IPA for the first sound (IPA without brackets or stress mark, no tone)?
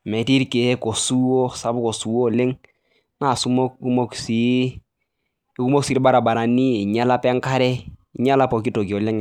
m